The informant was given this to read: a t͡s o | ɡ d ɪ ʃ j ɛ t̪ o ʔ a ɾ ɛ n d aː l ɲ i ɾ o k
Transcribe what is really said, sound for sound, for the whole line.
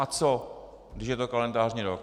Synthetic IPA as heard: a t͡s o | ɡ d ɪ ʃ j ɛ t̪ o k a l ɛ n d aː r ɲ i ɾ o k